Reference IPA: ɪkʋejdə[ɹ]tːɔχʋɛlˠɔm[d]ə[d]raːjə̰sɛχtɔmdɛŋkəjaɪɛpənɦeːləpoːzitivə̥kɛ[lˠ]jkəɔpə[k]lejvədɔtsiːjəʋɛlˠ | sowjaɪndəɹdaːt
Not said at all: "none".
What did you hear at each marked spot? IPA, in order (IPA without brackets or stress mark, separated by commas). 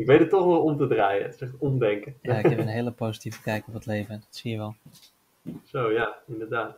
none, t, d, none, t